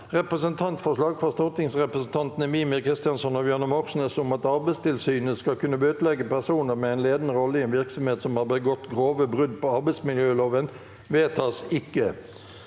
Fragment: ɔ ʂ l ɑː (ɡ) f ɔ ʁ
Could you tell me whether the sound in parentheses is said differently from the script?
no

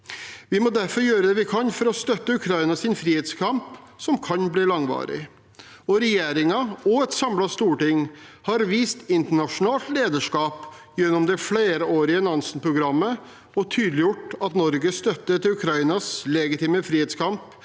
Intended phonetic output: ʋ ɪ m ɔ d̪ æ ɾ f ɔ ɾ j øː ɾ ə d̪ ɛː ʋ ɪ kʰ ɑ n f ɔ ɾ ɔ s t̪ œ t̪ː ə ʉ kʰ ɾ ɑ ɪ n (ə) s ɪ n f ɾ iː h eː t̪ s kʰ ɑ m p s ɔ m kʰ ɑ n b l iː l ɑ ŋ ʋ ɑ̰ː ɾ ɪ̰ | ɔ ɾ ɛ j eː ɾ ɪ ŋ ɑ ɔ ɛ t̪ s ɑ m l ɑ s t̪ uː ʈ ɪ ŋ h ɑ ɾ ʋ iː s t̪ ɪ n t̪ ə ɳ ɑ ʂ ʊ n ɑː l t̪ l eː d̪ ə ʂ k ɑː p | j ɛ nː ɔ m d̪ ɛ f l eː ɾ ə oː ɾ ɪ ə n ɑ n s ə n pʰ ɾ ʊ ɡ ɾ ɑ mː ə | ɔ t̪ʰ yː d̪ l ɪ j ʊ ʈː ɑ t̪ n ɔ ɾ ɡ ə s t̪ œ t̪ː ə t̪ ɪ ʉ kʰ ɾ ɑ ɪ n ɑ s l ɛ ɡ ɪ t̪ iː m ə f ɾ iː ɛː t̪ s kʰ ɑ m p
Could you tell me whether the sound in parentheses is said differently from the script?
yes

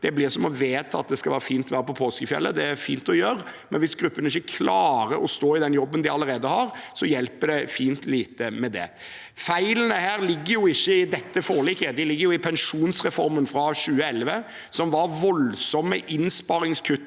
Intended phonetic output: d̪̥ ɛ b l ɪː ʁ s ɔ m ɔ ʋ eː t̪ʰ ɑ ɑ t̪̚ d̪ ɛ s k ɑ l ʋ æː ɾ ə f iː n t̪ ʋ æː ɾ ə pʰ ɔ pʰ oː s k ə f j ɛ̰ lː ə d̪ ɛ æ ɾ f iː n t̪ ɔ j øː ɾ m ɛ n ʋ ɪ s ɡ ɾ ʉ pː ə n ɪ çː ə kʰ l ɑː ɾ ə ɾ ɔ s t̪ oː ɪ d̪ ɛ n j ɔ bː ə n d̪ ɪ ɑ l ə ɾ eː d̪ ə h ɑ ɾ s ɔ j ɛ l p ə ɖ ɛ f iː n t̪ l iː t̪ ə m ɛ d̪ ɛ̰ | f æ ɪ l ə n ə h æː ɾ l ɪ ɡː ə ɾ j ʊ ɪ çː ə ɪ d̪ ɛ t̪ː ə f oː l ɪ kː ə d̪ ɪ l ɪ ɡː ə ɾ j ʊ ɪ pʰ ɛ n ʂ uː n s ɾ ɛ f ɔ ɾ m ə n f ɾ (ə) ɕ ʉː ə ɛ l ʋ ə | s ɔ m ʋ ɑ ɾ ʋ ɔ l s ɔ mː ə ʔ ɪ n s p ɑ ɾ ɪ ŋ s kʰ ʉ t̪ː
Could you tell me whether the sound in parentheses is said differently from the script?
yes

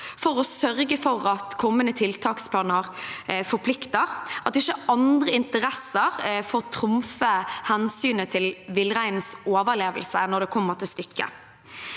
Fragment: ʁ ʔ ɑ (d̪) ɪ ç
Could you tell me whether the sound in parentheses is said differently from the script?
yes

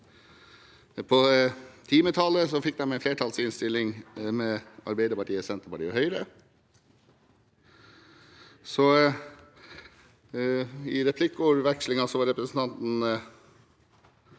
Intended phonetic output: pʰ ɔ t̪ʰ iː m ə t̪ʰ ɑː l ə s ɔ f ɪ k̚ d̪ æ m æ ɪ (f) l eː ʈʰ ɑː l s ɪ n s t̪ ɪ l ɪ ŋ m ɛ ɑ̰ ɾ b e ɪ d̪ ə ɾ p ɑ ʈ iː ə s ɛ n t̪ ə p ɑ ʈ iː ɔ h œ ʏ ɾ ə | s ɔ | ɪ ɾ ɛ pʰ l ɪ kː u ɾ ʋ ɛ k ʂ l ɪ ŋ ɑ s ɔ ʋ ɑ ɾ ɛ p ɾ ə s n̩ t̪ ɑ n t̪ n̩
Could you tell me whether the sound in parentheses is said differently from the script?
no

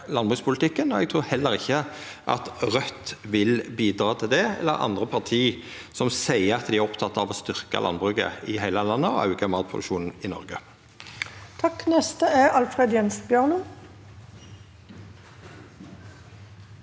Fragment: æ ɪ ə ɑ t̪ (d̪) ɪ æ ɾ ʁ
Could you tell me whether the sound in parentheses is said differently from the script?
no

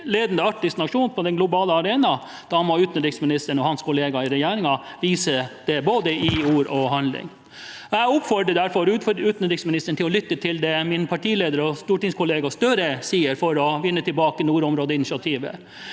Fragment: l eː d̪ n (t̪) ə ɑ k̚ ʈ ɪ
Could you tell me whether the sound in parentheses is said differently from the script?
yes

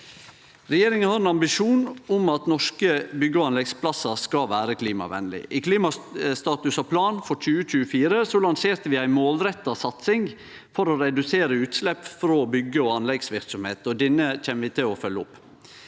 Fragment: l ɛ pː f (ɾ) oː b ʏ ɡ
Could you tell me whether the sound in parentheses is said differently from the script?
no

